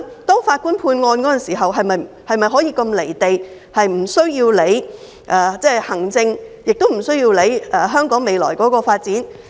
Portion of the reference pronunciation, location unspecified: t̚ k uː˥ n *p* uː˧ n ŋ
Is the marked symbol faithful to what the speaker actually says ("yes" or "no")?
no